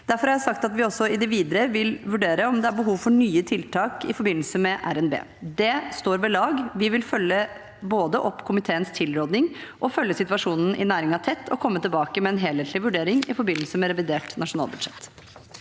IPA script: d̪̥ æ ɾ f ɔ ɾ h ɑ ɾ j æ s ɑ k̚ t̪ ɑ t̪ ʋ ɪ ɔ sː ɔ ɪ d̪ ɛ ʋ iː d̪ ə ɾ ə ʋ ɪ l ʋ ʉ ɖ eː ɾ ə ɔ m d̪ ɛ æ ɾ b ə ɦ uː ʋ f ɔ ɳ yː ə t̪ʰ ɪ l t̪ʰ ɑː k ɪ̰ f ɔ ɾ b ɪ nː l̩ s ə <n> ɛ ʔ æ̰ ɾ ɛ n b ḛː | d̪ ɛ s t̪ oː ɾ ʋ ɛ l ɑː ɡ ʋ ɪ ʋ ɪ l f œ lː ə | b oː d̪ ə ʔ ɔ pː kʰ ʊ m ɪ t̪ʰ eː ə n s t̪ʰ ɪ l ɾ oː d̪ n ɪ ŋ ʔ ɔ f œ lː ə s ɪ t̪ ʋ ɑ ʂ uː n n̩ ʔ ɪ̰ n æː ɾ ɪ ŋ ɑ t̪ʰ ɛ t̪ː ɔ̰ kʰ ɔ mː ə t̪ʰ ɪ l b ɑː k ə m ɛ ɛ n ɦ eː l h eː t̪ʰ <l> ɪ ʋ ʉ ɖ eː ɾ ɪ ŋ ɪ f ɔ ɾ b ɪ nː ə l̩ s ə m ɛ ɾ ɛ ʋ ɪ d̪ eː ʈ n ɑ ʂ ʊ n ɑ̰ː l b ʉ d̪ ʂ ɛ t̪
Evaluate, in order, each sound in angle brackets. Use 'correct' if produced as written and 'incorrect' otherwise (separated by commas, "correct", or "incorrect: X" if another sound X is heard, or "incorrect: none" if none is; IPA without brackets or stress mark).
incorrect: m, correct